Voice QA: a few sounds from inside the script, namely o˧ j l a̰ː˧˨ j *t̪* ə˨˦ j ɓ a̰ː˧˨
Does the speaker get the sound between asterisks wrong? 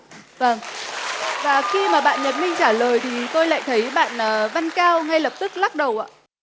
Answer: yes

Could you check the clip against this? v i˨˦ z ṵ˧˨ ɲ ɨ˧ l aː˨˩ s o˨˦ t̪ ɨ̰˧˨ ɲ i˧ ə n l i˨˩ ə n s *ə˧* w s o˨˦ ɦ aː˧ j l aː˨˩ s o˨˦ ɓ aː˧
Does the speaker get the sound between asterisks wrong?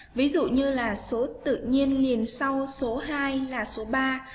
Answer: yes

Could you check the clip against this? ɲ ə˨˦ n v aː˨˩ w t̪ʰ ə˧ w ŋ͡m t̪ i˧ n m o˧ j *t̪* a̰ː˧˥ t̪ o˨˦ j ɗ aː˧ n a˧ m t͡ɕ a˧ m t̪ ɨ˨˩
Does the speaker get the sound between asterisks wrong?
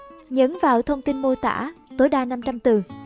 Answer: no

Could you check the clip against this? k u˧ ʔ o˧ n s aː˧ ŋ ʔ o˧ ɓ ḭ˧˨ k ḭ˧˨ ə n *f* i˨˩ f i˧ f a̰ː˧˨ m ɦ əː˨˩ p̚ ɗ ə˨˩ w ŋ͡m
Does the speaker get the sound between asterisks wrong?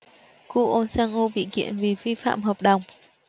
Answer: yes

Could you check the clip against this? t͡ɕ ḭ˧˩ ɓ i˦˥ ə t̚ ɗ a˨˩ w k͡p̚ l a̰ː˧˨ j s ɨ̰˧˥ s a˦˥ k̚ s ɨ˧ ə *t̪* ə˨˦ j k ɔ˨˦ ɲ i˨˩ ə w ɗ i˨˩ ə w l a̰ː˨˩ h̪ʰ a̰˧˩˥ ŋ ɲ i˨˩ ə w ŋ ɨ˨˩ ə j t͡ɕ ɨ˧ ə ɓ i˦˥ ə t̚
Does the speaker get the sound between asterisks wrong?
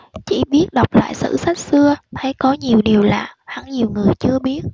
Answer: yes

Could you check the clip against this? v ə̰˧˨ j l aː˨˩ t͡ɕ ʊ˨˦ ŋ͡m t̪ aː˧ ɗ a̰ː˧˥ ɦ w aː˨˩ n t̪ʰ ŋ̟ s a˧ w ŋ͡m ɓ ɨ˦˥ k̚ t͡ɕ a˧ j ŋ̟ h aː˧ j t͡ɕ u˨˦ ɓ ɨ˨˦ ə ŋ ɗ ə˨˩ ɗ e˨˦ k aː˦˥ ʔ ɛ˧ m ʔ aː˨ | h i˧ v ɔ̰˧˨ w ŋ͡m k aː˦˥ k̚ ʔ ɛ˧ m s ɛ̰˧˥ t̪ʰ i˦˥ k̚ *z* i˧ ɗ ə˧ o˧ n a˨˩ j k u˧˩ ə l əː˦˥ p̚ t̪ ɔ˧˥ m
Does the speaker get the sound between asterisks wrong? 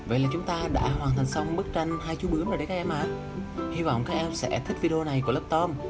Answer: yes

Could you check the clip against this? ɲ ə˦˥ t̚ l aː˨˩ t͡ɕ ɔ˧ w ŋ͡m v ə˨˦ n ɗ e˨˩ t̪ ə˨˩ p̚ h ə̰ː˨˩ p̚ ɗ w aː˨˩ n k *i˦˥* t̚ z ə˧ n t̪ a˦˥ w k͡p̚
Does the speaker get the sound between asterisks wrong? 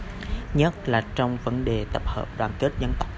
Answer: yes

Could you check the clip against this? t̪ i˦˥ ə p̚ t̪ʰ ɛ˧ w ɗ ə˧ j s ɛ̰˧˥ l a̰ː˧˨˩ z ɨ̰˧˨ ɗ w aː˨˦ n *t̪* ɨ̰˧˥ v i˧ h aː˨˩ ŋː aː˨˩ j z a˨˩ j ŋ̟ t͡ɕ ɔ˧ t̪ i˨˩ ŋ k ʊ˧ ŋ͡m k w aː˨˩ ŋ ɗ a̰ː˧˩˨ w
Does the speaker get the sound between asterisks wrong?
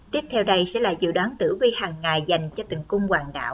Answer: no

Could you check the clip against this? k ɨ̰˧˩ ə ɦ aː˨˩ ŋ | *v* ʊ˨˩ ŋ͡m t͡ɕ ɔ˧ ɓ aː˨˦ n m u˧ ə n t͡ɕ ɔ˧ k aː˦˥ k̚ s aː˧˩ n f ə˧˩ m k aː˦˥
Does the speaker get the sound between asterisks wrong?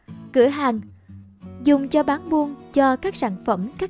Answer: yes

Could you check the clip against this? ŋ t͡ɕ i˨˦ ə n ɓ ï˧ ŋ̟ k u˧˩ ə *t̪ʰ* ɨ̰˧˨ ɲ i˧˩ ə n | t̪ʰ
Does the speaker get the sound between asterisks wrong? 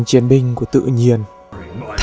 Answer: yes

